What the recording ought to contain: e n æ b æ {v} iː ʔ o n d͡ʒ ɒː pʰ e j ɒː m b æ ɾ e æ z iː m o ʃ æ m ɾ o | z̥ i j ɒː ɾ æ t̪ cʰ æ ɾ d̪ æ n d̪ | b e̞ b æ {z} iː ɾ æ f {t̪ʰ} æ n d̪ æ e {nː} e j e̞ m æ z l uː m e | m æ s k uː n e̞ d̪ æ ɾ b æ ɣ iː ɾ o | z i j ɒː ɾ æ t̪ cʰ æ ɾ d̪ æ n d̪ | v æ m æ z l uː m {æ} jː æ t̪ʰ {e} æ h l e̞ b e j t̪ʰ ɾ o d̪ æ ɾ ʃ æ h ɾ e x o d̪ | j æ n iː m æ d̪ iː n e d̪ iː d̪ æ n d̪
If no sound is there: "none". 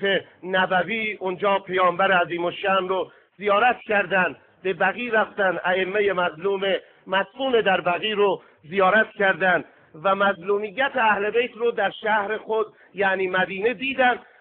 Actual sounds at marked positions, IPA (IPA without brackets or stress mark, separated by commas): v, ɣ, t̪, mː, i, e